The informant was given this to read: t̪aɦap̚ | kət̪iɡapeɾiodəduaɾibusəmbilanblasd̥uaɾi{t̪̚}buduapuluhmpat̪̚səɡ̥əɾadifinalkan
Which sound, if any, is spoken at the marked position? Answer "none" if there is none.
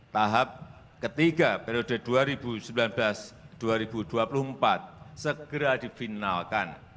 none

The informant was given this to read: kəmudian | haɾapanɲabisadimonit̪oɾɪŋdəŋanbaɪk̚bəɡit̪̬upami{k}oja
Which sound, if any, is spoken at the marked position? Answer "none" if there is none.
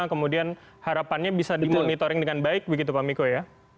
k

